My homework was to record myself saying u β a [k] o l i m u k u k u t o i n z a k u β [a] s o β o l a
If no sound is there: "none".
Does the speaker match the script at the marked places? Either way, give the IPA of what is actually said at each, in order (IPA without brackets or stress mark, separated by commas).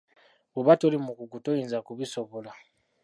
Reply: t, i